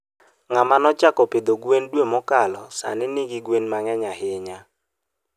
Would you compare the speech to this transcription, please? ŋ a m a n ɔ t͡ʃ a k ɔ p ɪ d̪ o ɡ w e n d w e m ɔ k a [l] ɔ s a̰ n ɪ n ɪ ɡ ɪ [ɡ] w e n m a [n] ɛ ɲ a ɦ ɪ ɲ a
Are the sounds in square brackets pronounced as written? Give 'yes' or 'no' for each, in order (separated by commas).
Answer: yes, yes, no